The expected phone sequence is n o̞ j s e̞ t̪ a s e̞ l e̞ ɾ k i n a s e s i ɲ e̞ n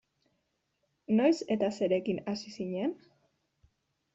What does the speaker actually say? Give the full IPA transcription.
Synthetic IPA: n o̞ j s e̞ t̪ a s e̞ ɾ e̞ k i n a s i s i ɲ e̞ n